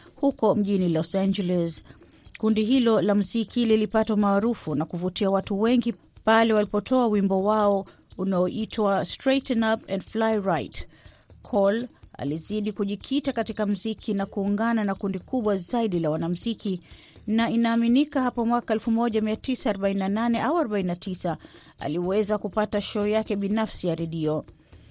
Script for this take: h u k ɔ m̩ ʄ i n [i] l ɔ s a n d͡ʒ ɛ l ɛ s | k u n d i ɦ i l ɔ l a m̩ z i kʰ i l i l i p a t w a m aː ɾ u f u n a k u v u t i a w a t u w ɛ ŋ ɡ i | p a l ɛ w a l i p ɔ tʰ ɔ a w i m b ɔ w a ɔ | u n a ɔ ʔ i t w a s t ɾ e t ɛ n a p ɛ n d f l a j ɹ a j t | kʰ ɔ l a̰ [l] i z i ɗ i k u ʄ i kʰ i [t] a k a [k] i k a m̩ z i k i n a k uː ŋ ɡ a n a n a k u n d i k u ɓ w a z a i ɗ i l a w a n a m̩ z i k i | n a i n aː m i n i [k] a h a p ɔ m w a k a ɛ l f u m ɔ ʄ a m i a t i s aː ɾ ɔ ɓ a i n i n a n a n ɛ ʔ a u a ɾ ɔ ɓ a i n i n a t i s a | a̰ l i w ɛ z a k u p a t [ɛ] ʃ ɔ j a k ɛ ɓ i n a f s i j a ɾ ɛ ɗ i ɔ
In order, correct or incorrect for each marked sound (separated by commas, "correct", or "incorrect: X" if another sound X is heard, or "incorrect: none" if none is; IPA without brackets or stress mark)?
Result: correct, correct, correct, incorrect: t, correct, incorrect: a